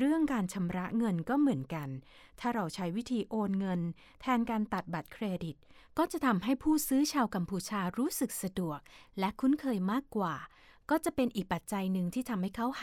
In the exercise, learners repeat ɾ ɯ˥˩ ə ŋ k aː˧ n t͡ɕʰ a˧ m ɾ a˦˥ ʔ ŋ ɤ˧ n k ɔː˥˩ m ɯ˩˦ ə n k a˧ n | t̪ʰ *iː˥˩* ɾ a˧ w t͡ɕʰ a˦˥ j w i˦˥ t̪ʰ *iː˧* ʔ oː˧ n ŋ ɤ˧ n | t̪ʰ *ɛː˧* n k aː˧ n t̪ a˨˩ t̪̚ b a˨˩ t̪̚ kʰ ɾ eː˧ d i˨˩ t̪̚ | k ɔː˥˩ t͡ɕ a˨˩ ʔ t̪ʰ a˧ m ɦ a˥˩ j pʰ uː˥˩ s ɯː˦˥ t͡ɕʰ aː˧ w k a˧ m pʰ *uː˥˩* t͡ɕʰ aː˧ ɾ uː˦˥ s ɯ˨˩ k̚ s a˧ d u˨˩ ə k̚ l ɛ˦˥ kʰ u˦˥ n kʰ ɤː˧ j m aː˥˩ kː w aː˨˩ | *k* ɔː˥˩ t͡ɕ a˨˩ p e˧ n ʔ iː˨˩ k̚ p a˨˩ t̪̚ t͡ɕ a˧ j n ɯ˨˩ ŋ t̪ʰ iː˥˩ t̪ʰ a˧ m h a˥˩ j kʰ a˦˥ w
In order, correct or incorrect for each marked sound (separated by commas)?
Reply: incorrect, correct, correct, incorrect, correct